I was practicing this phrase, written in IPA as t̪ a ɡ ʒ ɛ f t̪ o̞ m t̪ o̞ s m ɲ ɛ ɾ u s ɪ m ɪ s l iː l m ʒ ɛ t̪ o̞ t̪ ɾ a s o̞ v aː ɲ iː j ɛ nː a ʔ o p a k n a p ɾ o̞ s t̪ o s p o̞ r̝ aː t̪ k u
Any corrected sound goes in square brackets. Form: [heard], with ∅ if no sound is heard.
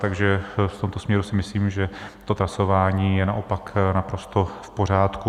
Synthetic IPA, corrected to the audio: t̪ a ɡ ʒ ɛ f t̪ o̞ m t̪ o̞ s m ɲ ɛ ɾ u s ɪ m ɪ s l iː [∅] m ʒ ɛ t̪ o̞ t̪ ɾ a s o̞ v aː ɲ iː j ɛ [n] a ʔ o p a k n a p ɾ o̞ s t̪ o [f] p o̞ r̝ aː t̪ k u